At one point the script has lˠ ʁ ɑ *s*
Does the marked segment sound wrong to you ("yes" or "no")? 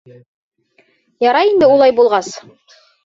no